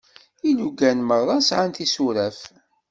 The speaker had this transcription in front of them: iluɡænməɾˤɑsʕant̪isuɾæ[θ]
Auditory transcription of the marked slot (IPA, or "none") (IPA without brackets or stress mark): f